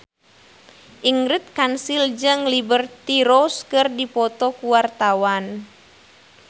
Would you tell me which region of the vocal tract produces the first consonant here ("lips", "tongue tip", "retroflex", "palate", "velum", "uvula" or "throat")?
throat